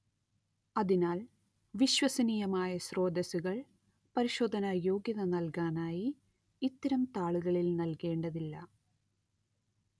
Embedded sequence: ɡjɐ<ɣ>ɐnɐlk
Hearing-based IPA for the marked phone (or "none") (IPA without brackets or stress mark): ð